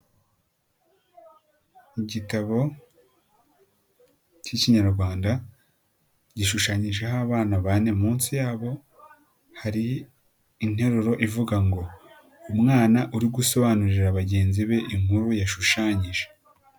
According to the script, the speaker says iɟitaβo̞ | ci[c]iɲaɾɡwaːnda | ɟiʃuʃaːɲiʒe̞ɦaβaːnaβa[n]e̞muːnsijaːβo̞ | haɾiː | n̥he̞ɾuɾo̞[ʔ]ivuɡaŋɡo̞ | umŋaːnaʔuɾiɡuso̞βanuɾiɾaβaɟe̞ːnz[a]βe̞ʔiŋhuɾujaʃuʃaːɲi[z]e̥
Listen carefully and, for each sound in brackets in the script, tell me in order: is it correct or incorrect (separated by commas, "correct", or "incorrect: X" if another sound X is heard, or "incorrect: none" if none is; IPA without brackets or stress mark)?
correct, correct, correct, incorrect: i, incorrect: ʒ